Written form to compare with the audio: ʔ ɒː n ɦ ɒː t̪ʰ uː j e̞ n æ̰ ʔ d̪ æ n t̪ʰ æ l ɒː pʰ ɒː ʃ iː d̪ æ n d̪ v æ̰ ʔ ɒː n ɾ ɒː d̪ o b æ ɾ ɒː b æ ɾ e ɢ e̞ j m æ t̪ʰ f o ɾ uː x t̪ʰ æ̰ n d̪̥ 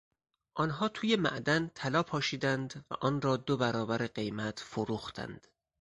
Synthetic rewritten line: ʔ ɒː n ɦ ɒː t̪ʰ uː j e̞ m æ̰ ʔ d̪ æ n t̪ʰ æ l ɒː pʰ ɒː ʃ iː d̪ æ n d̪ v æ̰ ʔ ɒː n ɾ ɒː d̪ o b æ ɾ ɒː b æ ɾ e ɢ e̞ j m æ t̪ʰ f o ɾ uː x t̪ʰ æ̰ n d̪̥